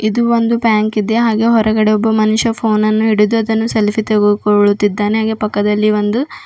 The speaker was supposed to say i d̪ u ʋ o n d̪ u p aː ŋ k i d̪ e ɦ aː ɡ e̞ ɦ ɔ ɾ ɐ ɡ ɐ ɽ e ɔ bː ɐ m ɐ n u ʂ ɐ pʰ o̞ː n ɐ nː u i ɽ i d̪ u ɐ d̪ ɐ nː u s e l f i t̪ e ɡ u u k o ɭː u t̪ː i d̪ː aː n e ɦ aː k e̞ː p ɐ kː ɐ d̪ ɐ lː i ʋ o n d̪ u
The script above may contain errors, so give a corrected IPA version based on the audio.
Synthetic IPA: i d̪ u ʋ o n d̪ u p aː ŋ k i d̪ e ɦ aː ɡ e̞ ɦ ɔ ɾ ɐ ɡ ɐ ɽ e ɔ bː ɐ m ɐ n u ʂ ɐ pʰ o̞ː n ɐ nː u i ɽ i d̪ u ɐ d̪ ɐ nː u s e l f i t̪ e ɡ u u k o ɭ u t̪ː i d̪ː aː n e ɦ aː ɡ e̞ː p ɐ kː ɐ d̪ ɐ lː i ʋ o n d̪ u